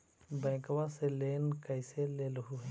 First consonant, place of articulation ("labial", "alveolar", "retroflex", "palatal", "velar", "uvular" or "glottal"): labial